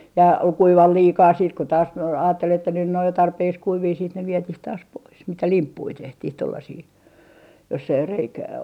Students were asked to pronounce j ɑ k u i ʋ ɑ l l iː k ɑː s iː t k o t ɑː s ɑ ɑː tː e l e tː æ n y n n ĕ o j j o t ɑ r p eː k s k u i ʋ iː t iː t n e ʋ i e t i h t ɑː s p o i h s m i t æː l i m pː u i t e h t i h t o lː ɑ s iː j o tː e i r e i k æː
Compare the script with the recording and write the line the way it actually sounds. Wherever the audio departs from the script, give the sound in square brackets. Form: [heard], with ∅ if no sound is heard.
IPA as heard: j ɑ k u i ʋ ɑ l l iː k ɑː s iː t k o t ɑː s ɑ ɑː tː e l e tː æ n y n n ĕ o j j o t ɑ r p eː k s k u i ʋ iː [s] iː t n e ʋ i e t i h t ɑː s p o i [∅] s m i t [æ] l i m pː u i t e h t i h t o lː ɑ s iː j o [sː] e i r e i k æː